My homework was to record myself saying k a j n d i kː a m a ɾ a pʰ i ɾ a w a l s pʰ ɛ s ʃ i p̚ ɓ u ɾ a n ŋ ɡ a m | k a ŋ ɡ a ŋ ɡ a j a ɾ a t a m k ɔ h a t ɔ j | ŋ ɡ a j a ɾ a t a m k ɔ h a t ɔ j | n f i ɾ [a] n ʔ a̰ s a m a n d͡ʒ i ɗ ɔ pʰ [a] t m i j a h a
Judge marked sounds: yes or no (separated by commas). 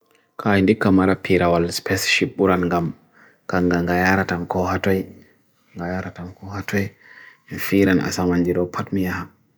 yes, yes